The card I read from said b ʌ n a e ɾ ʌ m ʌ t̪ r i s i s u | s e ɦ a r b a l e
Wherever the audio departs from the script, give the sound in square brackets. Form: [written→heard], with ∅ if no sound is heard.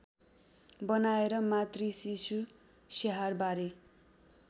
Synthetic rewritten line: b ʌ n a e ɾ ʌ m [ʌ→a] t̪ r i s i s u | s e ɦ a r b a [l→ɾ] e

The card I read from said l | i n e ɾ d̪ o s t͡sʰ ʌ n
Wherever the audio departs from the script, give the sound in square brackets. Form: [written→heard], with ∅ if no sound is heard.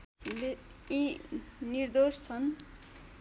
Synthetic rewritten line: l | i n [e→i] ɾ d̪ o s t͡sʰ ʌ n

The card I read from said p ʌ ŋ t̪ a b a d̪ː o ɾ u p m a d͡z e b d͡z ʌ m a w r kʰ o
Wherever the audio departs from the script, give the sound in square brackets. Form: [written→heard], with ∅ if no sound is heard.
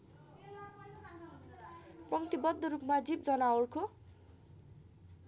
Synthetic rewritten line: p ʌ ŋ t̪ [a→i] b [a→ʌ] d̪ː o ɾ u p m a d͡z [e→i] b d͡z ʌ [m→n] a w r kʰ o

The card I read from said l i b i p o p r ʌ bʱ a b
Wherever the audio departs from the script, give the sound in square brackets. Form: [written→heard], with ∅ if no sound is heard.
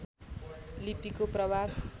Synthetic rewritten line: l i [b→p] i [p→k] o p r ʌ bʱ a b

